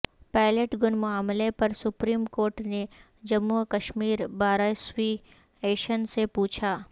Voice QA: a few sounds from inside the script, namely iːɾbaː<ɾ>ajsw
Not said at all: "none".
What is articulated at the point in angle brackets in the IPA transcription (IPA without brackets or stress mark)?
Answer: ɾ